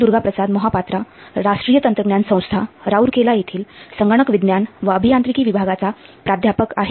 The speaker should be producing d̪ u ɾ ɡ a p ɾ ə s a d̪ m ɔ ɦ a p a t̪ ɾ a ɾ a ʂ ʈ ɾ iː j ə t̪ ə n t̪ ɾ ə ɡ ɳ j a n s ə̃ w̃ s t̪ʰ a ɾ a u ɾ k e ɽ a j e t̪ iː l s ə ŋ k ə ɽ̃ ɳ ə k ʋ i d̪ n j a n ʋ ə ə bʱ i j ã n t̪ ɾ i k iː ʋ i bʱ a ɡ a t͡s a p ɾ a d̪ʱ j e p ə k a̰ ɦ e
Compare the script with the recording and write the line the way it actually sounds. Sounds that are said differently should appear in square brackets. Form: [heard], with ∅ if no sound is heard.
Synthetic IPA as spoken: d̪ u ɾ ɡ a p ɾ ə s a d̪ m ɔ ɦ a p a t̪ ɾ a ɾ a ʂ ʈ ɾ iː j ə t̪ ə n t̪ ɾ ə ɡ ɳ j a n s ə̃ w̃ s t̪ʰ a ɾ a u ɾ k e [l] a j e [t̪ʰ] iː l s ə ŋ [ɡ] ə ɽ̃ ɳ ə k ʋ i d̪ n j a n ʋ ə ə bʱ i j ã n t̪ ɾ i k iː ʋ i bʱ a ɡ a t͡s a p ɾ a d̪ʱ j [a] p ə k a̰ ɦ e